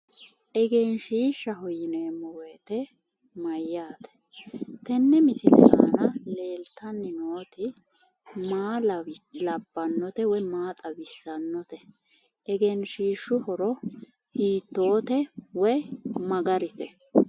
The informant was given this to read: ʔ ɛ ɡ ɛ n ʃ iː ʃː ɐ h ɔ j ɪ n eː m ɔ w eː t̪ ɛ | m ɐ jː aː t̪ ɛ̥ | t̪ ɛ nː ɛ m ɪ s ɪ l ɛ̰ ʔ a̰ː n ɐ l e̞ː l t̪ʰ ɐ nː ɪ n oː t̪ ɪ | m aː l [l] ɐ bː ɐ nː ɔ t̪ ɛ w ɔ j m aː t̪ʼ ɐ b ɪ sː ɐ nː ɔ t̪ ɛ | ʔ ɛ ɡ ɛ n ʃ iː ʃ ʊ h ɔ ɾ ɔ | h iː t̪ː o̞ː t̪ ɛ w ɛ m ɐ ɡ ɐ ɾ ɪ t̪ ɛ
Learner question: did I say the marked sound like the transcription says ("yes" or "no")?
yes